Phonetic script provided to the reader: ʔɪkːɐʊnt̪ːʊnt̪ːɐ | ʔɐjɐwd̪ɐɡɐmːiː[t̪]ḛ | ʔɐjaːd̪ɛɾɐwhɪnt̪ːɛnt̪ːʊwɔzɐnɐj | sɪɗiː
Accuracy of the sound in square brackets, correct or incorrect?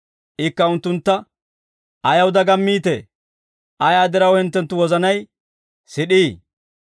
correct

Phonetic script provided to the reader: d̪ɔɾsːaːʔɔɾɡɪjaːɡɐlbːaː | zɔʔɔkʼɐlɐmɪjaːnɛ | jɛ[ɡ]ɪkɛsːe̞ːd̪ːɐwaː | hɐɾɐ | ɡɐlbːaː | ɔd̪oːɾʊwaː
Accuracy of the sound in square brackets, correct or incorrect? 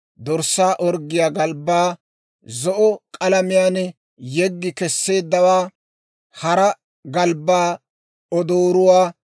incorrect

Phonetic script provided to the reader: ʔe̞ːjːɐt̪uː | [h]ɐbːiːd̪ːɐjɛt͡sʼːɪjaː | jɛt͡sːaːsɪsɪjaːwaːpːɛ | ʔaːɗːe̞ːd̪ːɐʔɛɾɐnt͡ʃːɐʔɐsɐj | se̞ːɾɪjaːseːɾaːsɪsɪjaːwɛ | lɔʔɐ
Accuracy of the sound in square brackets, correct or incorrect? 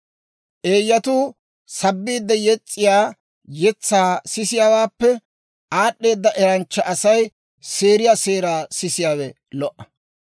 incorrect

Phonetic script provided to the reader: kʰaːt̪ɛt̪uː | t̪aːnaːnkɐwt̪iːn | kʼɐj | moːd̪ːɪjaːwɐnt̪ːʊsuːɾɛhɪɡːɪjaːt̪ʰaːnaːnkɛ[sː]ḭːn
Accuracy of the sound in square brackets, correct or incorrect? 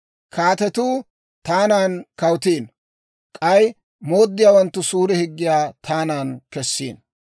correct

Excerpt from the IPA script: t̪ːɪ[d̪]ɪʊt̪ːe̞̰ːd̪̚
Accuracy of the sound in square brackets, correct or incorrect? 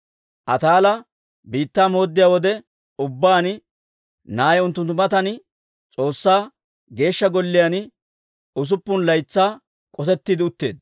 correct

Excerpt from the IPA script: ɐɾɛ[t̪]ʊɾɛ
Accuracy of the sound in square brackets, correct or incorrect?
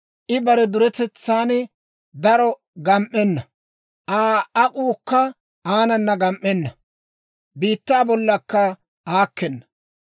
incorrect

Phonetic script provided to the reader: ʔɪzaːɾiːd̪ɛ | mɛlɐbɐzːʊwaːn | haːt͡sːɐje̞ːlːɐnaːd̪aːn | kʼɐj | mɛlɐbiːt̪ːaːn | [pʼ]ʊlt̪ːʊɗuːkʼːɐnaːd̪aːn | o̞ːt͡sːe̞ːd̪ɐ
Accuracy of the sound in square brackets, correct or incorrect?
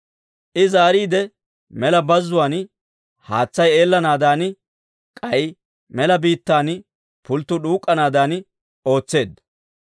incorrect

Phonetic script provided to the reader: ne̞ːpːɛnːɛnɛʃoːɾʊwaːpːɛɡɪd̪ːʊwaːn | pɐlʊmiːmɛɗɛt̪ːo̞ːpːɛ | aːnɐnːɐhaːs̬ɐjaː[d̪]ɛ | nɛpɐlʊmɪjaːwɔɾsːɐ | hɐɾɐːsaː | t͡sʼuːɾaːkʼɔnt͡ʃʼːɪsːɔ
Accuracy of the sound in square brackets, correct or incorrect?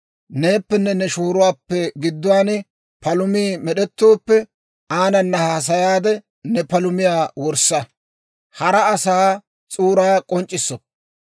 correct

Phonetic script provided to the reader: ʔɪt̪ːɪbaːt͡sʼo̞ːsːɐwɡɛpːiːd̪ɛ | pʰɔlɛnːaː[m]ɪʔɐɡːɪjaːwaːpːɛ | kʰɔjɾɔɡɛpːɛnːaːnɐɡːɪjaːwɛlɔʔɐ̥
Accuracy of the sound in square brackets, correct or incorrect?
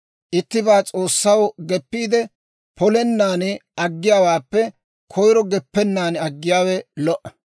incorrect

